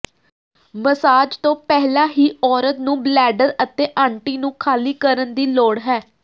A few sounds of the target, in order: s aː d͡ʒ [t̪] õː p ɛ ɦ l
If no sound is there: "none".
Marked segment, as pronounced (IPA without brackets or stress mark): t̪